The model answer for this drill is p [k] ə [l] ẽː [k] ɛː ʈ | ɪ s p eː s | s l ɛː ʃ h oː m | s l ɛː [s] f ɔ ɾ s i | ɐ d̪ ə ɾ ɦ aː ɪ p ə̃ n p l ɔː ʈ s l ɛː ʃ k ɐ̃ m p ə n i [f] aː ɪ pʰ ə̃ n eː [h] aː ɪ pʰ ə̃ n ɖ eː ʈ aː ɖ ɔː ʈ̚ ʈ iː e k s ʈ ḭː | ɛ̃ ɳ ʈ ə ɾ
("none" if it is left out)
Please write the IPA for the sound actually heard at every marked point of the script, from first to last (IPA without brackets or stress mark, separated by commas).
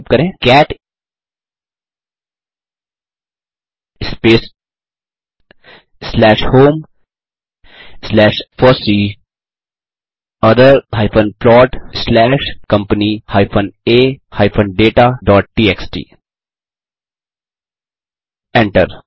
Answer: k, ɾ, k, ʃ, h, h